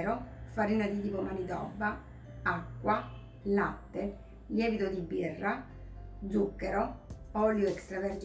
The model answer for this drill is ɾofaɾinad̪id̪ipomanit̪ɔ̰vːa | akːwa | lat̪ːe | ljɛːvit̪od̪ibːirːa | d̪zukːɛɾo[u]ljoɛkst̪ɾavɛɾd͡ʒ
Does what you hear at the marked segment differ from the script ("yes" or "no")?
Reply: yes